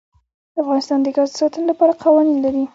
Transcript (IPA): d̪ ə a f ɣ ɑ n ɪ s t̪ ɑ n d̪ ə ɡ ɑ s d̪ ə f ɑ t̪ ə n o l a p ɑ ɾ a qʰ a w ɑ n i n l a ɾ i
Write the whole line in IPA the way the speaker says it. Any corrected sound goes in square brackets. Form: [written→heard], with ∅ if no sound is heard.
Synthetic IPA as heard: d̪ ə a f ɣ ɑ n ɪ s t̪ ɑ n d̪ ə ɡ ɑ [s→z] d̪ ə [f→s] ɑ t̪ ə n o l a p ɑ ɾ a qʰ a w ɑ n i n l a ɾ i

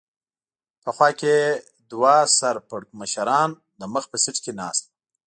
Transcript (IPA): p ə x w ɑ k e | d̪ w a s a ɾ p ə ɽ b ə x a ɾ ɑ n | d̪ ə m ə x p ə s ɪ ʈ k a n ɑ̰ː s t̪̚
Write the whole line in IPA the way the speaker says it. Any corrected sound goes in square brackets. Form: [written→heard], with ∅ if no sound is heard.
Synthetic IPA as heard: p ə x w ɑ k e | d̪ w a s a ɾ p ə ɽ [b→m] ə [x→ʃ] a ɾ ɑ n | d̪ ə m ə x p ə s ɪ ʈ k [a→e] n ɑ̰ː s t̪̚

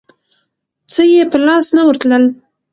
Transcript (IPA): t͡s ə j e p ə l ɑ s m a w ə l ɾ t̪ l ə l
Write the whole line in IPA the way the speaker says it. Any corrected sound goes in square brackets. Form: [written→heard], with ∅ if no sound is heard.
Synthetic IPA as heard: t͡s ə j e p ə l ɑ s [m→n] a w ə [l→∅] ɾ t̪ l ə l

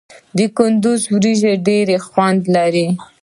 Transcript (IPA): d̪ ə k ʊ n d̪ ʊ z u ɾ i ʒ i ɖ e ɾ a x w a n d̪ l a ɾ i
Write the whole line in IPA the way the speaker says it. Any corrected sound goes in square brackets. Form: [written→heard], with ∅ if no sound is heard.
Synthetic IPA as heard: d̪ ə k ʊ n d̪ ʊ z [u→w] ɾ i ʒ [i→e] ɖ e ɾ [a→e] x w a n d̪ l a ɾ i

